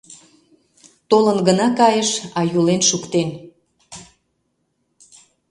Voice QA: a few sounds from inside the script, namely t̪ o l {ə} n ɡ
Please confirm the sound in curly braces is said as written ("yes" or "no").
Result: yes